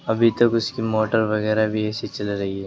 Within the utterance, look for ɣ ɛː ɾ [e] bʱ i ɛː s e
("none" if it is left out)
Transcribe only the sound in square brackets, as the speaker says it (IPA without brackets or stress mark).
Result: a